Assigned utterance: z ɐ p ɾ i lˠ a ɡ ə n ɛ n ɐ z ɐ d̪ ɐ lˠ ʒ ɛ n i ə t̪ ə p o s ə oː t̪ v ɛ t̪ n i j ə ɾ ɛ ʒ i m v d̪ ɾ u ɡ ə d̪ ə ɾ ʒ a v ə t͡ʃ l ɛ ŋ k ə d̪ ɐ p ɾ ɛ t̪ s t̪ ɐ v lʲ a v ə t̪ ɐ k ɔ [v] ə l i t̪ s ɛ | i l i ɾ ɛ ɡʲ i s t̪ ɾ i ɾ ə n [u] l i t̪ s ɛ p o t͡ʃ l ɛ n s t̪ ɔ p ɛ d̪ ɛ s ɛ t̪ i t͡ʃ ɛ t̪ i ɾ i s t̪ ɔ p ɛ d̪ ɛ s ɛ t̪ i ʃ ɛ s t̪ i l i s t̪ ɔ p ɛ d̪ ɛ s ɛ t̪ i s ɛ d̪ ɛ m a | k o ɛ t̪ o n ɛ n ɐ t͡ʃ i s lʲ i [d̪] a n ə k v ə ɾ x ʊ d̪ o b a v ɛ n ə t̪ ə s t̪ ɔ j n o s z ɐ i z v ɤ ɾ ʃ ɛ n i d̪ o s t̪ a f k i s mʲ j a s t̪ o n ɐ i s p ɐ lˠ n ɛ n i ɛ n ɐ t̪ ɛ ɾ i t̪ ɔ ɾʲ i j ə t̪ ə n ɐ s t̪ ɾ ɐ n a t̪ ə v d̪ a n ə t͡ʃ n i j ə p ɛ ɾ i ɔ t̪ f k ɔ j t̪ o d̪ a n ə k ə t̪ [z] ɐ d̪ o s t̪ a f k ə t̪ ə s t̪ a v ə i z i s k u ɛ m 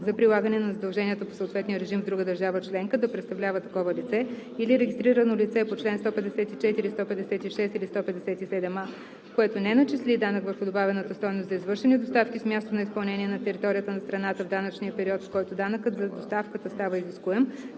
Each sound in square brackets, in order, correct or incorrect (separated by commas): correct, incorrect, correct, correct